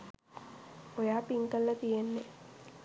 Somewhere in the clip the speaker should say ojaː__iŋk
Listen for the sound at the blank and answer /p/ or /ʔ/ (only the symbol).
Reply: p